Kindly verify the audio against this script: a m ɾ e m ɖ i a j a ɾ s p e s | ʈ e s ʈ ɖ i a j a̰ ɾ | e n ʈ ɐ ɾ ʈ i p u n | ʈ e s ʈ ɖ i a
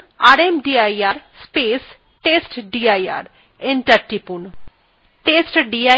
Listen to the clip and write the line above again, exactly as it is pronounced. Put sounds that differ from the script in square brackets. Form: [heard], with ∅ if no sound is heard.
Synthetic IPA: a [∅] ɾ e m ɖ i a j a ɾ s p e s | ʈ e s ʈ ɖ i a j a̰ ɾ | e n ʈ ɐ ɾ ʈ i p u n | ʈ e s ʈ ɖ i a